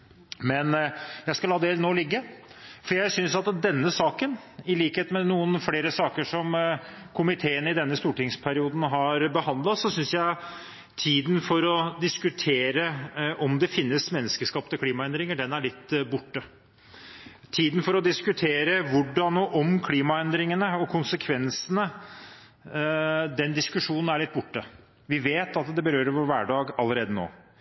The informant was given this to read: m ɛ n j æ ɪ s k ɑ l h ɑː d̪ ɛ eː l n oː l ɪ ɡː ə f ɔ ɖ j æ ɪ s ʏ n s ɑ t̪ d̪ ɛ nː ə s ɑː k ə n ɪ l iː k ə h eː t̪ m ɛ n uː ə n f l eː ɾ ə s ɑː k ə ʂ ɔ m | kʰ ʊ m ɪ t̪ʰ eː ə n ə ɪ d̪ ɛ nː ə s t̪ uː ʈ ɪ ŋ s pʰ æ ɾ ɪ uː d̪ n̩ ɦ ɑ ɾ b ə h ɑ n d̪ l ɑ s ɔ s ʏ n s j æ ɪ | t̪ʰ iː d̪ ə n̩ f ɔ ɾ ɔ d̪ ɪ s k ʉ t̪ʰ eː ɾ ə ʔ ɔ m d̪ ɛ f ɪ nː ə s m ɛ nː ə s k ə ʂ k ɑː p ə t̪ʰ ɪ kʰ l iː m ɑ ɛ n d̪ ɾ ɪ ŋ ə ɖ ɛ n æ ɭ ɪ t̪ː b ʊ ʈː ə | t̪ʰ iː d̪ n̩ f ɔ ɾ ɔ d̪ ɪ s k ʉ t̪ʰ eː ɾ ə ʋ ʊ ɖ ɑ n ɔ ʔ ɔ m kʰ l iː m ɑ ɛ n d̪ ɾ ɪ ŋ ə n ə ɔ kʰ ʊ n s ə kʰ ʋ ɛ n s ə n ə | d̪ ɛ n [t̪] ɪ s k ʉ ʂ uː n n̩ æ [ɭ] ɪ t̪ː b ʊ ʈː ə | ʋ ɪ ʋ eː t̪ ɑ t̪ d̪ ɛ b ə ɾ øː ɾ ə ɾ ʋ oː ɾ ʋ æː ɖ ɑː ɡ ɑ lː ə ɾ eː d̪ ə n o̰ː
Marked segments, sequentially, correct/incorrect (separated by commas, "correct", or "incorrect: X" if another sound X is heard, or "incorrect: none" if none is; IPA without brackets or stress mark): incorrect: d̪, correct